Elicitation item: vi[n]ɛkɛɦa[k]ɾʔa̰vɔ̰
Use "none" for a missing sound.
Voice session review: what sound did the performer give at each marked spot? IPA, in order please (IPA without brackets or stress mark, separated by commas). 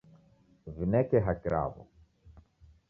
n, k